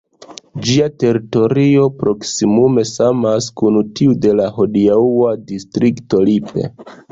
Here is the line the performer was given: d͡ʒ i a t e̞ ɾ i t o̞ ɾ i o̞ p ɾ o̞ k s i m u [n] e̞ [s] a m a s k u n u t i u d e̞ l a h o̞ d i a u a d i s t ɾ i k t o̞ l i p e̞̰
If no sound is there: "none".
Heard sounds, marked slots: m, s

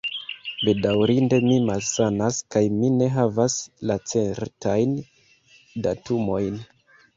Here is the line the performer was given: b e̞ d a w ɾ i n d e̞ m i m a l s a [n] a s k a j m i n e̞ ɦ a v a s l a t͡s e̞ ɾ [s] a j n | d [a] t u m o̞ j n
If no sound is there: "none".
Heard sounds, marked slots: n, t, a

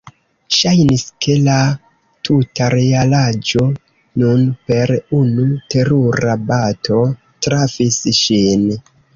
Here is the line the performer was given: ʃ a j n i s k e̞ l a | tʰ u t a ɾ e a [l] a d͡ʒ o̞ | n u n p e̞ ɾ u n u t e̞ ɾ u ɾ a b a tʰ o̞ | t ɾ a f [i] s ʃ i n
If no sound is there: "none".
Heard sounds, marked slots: l, i

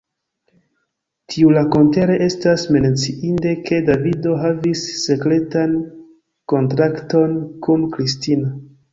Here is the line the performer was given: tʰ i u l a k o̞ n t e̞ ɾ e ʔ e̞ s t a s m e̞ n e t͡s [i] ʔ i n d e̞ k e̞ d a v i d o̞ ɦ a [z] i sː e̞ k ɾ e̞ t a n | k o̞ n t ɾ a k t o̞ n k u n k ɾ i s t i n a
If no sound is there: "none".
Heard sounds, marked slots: i, v

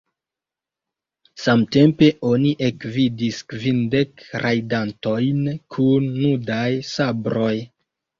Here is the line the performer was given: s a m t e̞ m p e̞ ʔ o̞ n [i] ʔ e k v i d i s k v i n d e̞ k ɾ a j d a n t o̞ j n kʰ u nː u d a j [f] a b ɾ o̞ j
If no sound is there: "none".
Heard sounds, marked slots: i, s

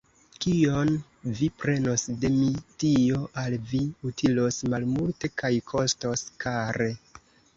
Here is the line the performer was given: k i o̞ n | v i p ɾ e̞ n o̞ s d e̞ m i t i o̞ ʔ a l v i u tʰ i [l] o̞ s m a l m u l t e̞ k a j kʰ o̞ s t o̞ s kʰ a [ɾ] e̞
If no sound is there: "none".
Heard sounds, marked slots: l, ɾ

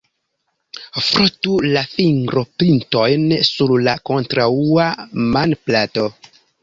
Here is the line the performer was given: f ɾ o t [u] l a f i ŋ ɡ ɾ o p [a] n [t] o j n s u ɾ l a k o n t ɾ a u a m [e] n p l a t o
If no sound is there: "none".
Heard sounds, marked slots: u, i, t, a

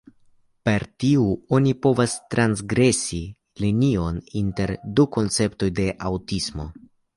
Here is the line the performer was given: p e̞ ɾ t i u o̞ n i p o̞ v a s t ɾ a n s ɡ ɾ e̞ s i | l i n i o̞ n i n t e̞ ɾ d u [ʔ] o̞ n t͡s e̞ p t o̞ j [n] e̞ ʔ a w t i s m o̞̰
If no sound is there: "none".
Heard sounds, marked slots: k, d

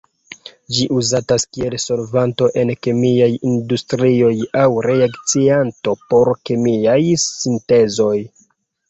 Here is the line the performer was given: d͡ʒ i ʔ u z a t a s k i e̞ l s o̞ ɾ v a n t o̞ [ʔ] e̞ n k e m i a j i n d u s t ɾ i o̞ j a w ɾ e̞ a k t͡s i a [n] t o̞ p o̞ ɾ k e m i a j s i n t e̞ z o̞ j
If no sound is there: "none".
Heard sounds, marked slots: ʔ, n

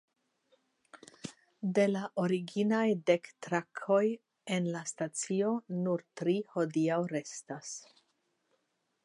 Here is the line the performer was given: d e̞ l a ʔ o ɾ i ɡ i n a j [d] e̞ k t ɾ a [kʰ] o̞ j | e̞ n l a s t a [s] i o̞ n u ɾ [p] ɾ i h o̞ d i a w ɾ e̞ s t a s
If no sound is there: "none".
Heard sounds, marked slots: d, kʰ, t͡s, t

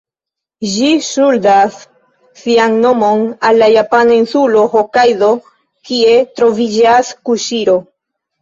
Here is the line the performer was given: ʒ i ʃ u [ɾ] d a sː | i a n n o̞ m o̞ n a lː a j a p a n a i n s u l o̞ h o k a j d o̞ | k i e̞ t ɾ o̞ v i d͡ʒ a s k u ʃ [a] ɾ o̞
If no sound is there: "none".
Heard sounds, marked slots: l, i

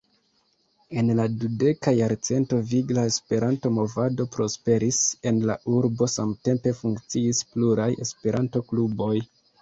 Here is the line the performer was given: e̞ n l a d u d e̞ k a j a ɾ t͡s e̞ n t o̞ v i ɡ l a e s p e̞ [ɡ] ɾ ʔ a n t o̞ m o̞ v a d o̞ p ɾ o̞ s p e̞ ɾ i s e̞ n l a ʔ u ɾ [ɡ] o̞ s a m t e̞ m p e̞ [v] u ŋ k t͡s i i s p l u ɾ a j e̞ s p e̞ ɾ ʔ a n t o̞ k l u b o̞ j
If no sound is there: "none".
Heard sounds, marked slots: none, b, f

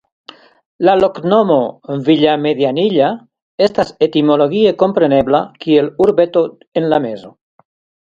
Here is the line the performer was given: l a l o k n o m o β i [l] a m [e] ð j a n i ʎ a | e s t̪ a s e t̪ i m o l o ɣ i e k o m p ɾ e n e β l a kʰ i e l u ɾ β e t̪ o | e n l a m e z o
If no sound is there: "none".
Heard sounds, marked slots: ʎ, e

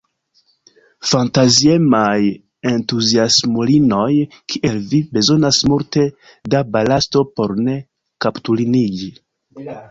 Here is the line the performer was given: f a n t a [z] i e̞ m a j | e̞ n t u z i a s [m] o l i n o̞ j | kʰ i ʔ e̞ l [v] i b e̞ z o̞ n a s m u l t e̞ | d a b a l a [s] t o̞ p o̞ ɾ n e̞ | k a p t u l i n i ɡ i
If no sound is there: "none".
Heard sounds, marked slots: z, m, v, s

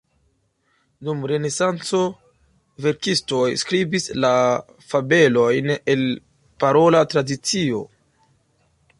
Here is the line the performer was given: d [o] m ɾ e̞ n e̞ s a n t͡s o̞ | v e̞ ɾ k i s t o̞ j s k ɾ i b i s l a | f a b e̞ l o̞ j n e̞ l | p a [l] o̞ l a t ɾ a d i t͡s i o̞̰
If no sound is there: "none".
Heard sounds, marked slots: u, ɾ

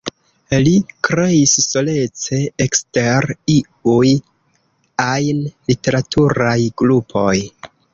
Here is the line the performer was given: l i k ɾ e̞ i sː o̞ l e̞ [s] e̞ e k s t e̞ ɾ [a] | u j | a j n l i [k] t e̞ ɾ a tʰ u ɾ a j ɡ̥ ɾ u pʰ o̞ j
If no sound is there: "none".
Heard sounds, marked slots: t͡s, i, none

